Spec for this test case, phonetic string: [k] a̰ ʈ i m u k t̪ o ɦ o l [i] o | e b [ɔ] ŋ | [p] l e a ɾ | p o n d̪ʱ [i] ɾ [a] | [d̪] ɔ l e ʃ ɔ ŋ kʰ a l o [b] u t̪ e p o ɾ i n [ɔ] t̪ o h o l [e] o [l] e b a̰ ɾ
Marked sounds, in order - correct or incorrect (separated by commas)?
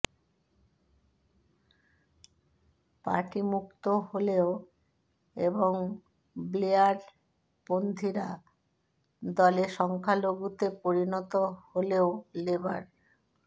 incorrect, incorrect, incorrect, incorrect, correct, correct, correct, incorrect, correct, correct, correct